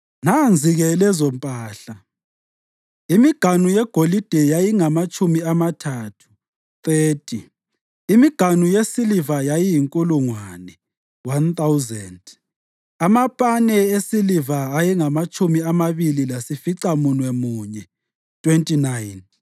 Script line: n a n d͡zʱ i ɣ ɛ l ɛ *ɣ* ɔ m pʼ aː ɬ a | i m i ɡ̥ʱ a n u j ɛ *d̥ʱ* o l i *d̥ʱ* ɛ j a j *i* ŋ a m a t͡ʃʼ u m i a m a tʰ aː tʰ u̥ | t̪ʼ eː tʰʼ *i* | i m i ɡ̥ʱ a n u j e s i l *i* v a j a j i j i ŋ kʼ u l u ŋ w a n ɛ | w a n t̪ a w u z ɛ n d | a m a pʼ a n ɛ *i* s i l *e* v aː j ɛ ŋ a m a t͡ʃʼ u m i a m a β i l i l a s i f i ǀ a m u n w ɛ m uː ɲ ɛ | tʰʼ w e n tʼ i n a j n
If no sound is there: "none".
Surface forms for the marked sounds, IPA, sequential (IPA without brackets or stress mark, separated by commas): z, ɡ̥ʱ, d̥ʱ, i, i, i, e, i